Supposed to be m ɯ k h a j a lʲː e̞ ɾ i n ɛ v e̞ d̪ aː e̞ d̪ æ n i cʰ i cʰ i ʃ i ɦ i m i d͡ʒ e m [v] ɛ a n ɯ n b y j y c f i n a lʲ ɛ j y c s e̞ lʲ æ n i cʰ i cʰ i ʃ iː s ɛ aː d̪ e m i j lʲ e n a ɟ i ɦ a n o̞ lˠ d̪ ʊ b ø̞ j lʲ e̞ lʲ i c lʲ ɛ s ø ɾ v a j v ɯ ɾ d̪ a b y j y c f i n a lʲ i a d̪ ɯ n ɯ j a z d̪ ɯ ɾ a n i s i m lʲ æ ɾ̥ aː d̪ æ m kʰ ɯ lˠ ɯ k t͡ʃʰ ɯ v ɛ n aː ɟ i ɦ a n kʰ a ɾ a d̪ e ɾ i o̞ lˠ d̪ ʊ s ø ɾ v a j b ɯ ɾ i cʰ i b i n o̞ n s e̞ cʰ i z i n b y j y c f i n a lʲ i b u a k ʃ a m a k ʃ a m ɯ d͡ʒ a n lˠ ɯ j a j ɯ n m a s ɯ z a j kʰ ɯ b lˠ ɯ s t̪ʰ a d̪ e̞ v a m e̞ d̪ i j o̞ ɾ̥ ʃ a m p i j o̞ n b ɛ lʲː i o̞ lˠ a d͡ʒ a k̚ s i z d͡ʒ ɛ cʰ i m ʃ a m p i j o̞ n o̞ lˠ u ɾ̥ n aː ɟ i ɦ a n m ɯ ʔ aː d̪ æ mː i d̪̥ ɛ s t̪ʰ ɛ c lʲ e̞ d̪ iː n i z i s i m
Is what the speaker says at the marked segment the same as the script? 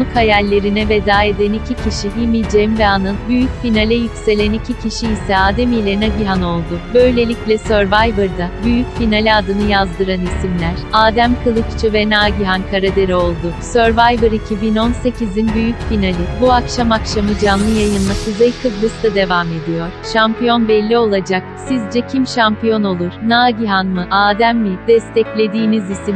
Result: yes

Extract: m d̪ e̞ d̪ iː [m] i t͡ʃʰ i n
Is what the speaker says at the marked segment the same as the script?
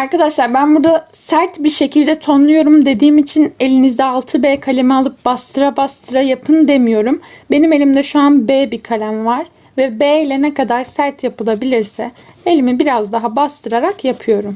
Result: yes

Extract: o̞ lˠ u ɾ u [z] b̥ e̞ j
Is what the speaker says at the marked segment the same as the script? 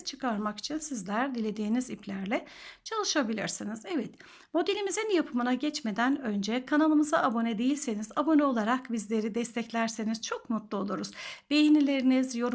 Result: yes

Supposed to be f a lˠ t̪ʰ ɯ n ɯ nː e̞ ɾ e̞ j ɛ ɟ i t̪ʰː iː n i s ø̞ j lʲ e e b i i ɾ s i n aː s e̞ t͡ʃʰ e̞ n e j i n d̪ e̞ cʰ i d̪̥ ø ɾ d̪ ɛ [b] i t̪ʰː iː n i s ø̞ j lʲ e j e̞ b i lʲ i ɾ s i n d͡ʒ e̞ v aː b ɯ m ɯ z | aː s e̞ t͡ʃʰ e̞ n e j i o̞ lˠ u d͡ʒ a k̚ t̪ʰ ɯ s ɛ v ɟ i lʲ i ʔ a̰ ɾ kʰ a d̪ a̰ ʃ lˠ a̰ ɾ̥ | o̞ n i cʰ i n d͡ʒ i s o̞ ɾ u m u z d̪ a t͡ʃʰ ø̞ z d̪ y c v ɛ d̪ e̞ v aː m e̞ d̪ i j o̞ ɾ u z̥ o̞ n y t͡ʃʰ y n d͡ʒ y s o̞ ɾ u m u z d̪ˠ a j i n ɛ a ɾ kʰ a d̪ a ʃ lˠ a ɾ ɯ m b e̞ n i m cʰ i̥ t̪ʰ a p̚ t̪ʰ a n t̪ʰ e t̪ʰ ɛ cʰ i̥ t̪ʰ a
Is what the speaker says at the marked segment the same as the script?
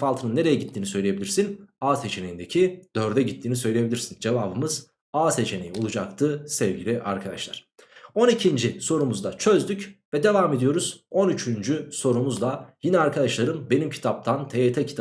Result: no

